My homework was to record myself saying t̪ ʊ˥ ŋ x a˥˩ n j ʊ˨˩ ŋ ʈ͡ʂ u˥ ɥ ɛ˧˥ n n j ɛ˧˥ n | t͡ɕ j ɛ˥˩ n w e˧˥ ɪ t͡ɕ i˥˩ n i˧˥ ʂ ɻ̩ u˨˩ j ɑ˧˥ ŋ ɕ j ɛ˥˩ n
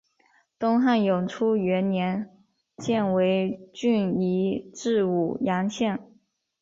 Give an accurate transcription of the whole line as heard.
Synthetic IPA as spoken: t̪ ʊ˥ ŋ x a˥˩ n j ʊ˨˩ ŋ ʈ͡ʂʰ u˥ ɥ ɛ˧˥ n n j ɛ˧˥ n | t͡ɕ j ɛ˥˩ n w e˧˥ ɪ t͡ɕ y˥˩ n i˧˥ ʈ͡ʂ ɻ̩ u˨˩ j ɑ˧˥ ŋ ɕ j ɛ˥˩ n